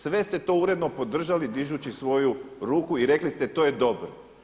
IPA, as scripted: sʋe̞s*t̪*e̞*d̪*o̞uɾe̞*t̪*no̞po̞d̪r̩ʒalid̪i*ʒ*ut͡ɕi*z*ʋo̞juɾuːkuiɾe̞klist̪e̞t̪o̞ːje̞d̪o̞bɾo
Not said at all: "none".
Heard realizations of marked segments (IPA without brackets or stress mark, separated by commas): t̪, t̪, d̪, ʒ, s